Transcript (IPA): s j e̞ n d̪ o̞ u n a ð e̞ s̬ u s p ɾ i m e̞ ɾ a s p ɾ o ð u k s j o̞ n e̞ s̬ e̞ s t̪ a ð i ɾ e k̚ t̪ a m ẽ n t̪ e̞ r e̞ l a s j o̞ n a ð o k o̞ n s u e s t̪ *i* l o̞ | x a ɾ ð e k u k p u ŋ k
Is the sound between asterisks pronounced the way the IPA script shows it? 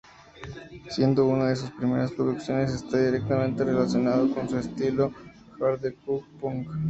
yes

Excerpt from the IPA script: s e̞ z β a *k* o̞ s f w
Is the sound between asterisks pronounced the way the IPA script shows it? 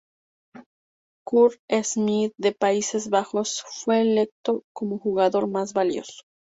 no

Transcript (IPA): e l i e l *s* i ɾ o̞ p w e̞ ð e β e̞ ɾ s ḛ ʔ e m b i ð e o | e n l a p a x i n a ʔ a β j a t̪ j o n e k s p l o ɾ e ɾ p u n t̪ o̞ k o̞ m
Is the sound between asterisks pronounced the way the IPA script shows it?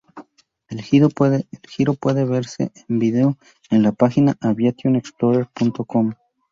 no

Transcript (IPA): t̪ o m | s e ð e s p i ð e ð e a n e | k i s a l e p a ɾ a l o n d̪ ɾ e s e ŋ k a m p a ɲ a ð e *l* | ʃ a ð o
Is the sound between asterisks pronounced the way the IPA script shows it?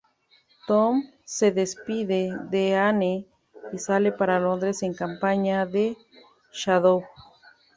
no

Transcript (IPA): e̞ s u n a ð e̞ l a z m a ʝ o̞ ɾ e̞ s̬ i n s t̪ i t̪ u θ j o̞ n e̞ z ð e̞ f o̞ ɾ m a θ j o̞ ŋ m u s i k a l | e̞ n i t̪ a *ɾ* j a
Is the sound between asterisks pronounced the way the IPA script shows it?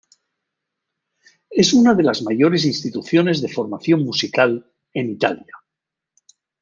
no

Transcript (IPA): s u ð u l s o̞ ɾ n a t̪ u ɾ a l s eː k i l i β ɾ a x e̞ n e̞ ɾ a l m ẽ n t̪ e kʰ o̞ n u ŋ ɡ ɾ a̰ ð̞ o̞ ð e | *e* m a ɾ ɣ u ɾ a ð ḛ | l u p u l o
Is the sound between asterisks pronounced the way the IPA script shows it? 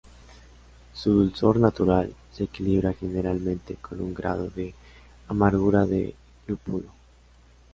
no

